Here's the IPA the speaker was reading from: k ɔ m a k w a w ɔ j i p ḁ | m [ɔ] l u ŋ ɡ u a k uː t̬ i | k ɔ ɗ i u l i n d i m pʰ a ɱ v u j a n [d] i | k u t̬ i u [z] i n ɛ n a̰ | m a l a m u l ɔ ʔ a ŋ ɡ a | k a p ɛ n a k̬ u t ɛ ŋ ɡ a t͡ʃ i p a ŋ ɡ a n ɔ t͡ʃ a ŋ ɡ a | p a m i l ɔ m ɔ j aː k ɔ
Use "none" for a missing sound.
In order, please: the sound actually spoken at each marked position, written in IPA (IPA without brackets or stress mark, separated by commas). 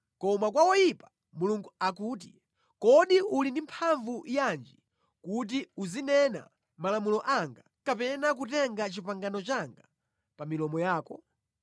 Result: u, d͡ʒ, z